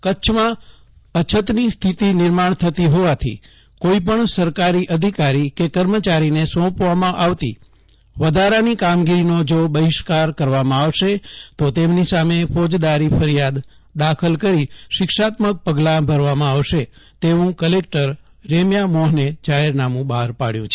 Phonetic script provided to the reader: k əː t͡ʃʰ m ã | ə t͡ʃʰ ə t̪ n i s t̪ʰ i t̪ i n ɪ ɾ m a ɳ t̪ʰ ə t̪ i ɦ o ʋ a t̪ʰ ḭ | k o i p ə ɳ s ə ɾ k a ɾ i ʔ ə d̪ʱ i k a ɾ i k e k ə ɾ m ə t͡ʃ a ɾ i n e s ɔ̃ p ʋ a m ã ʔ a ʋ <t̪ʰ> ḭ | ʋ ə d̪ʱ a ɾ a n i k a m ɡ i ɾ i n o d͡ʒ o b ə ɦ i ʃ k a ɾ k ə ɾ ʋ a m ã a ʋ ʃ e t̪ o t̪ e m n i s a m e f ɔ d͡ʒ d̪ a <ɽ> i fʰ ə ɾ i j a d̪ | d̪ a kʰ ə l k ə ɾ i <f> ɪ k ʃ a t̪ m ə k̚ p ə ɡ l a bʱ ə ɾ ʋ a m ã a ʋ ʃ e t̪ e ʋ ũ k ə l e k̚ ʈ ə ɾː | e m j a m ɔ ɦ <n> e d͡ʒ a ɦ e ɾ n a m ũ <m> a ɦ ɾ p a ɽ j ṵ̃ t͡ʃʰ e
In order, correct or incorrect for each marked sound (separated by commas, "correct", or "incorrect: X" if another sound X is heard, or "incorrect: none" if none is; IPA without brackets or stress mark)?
incorrect: t̪, incorrect: ɾ, incorrect: ʃ, correct, incorrect: b